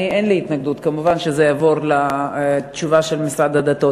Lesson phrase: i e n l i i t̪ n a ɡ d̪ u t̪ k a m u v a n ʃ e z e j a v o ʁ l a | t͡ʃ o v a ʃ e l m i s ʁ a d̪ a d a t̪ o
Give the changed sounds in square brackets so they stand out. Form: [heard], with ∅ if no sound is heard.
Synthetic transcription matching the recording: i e n l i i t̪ n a ɡ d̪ u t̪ k a m u v a n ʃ e z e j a v o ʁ l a | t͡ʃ [u] v a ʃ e l m i s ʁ a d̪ a d a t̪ o